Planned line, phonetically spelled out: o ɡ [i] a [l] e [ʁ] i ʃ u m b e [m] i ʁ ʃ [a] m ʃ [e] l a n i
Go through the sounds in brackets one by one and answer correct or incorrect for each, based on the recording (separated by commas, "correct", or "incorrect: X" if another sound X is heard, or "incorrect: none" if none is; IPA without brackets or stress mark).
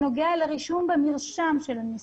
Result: incorrect: e, correct, correct, correct, correct, correct